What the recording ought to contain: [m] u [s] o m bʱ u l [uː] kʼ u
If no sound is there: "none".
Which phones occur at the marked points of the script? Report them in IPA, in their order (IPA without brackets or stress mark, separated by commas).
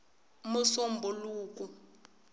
m, s, uː